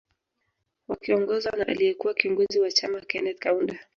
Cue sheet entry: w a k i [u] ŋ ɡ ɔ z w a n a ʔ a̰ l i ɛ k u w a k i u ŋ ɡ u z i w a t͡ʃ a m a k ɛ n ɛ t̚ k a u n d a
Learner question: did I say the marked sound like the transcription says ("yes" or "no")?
no